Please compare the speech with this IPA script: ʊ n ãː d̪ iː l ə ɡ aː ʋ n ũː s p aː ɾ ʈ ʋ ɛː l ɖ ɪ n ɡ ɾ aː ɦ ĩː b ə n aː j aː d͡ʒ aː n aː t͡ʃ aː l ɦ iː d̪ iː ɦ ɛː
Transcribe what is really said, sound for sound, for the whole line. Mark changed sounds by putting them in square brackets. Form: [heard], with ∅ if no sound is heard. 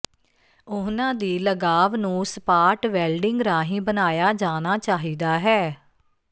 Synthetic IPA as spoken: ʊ n ãː d̪ iː l ə ɡ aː ʋ n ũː s p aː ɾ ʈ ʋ ɛː l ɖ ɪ [ŋ] ɡ ɾ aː ɦ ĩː b ə n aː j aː d͡ʒ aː n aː t͡ʃ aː [∅] ɦ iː d̪ [aː] ɦ ɛː